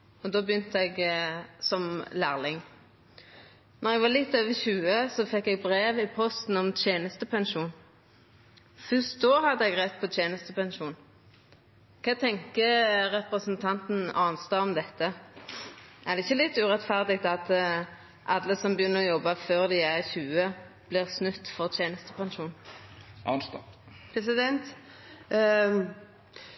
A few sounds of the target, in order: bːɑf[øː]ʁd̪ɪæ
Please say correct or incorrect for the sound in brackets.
correct